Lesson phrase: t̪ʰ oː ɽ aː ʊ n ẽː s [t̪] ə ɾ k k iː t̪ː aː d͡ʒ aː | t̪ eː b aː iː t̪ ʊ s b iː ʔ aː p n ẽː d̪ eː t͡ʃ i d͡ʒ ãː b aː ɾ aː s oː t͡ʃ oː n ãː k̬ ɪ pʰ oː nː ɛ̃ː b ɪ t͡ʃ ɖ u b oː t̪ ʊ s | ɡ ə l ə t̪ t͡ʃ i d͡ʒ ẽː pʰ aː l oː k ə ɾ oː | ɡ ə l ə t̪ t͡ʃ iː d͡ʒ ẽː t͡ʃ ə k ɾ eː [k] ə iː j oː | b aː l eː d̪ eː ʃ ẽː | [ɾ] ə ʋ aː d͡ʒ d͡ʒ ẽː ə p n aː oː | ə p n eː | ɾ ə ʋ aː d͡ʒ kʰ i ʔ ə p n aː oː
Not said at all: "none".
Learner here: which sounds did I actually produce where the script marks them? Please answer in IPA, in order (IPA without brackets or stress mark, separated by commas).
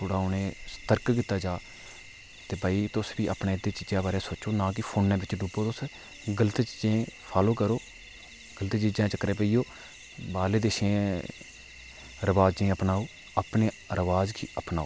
t̪, p, ɾ